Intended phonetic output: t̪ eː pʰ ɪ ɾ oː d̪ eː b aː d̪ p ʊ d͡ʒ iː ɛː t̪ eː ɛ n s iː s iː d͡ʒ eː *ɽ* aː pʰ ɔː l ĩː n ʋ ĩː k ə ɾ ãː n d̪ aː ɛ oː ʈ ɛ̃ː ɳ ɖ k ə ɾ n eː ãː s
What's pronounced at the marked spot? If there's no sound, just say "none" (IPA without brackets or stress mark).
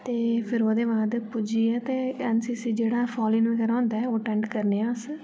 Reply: ɽ